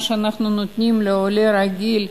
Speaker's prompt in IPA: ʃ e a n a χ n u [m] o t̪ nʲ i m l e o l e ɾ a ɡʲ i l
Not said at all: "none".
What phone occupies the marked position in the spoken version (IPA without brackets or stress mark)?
n